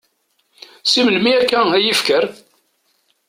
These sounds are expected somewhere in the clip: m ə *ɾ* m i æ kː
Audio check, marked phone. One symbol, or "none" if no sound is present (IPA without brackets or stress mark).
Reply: l